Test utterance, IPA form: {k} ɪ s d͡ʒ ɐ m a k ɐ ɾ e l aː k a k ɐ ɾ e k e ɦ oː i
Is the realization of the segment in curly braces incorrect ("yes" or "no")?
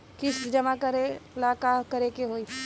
no